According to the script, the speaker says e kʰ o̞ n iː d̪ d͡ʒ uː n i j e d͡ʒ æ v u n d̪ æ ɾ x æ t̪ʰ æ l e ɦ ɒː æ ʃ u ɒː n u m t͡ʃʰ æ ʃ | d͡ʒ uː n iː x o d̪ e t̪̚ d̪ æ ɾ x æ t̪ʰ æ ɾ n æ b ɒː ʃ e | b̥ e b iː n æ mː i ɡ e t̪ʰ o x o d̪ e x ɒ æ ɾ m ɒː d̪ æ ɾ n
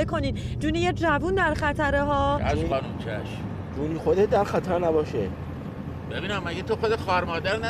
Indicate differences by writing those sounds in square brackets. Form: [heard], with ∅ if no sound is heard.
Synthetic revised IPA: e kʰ o̞ n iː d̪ d͡ʒ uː n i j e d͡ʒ æ v u n d̪ æ ɾ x æ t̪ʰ æ [ɾ] e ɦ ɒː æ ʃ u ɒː n u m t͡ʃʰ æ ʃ | d͡ʒ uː n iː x o d̪ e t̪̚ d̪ æ ɾ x æ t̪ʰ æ ɾ n æ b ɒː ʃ e | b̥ e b iː n æ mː [æ] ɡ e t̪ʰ o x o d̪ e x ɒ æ ɾ m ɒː d̪ æ ɾ n